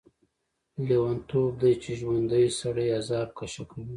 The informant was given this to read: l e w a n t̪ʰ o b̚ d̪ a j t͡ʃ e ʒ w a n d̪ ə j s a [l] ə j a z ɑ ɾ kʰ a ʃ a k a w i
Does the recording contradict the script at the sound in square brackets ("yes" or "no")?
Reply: yes